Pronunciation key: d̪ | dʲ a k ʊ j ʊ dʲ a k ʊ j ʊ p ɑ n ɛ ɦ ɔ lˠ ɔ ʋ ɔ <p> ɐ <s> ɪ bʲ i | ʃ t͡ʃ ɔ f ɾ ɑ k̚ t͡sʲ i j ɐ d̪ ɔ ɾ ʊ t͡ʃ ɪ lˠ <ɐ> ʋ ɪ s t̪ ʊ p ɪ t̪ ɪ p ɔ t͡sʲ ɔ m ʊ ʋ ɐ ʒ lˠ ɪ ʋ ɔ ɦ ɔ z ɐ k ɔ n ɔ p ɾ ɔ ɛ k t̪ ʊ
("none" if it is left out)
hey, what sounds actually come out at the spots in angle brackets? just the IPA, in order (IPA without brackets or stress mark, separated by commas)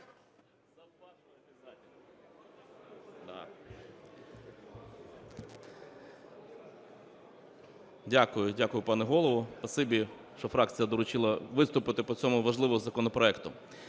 p, s, ɐ